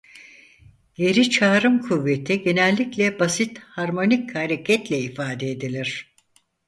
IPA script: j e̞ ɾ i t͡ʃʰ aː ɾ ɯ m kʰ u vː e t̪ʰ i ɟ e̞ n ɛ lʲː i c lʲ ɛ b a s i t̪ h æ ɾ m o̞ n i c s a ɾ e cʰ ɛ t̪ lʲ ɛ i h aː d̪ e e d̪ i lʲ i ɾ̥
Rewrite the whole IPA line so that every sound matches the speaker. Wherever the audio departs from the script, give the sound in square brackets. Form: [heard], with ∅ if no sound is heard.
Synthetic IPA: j e̞ ɾ i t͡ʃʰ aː ɾ ɯ m kʰ u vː e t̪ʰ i ɟ e̞ n ɛ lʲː i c lʲ ɛ b a s i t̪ h [a] ɾ m o̞ n i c [h] a ɾ e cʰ ɛ t̪ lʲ ɛ i [f] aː d̪ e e d̪ i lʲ i ɾ̥